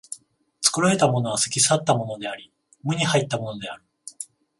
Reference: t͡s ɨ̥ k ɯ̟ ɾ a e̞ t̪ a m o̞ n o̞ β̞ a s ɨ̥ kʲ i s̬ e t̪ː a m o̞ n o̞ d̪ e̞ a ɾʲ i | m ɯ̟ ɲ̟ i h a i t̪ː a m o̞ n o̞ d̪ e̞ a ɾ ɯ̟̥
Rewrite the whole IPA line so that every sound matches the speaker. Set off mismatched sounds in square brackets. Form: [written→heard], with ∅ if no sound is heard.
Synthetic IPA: t͡s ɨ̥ k ɯ̟ ɾ a e̞ t̪ a m o̞ n o̞ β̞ a s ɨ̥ kʲ i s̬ [e→a] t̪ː a m o̞ n o̞ d̪ e̞ a ɾʲ i | m ɯ̟ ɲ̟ i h a i t̪ː a m o̞ n o̞ d̪ e̞ a ɾ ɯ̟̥